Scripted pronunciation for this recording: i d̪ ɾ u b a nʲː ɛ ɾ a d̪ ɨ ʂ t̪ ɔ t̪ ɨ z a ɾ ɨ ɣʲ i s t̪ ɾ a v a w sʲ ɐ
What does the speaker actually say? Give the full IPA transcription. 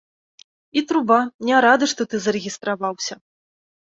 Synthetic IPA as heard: i t̪ ɾ u b a nʲ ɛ ɾ a d̪ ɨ ʂ t̪ ɔ t̪ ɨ z ɐ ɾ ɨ ɣʲ i s t̪ ɾ a v a w sʲ ɐ